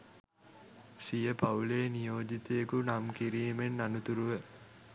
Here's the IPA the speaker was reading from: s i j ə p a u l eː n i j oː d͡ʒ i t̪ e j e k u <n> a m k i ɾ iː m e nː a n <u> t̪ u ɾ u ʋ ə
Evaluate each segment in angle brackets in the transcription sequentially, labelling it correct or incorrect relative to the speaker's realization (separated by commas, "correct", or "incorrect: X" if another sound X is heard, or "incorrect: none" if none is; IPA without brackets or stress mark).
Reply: correct, correct